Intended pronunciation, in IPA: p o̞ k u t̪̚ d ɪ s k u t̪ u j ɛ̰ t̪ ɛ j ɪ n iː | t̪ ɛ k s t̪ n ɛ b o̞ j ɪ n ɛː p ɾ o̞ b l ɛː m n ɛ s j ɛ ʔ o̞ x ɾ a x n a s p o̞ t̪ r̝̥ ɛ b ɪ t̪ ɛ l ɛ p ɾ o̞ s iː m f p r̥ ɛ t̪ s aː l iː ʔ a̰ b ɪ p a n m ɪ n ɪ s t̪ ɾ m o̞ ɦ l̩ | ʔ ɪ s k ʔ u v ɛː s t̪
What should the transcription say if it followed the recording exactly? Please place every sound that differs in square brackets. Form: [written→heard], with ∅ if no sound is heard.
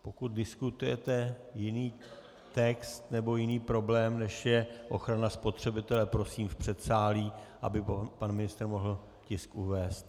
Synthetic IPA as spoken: p o̞ k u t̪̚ d ɪ s k u t̪ u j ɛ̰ t̪ ɛ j ɪ n iː | t̪ ɛ k s t̪ n ɛ b o̞ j ɪ n [ɛː→iː] p ɾ o̞ b l ɛː m n ɛ [s→ʃ] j ɛ ʔ o̞ x ɾ a [x→∅] n a s p o̞ t̪ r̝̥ ɛ b ɪ t̪ ɛ l ɛ p ɾ o̞ s iː m f p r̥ ɛ t̪ s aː l iː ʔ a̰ b ɪ p a n m ɪ n ɪ s t̪ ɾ m o̞ ɦ l̩ | [ʔ→c] ɪ s k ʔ u v ɛː s t̪